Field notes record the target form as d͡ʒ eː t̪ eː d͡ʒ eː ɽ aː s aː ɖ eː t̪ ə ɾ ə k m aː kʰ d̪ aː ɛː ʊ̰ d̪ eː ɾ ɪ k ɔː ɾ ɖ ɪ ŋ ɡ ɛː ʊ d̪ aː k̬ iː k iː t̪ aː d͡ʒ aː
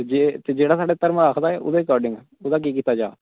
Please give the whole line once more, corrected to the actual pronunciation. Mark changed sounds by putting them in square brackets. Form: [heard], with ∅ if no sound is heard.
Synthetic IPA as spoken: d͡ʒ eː t̪ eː d͡ʒ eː ɽ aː s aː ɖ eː t̪ ə ɾ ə [∅] m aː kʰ d̪ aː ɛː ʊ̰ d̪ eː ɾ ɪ k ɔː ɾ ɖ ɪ ŋ ɡ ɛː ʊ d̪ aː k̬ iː k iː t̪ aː d͡ʒ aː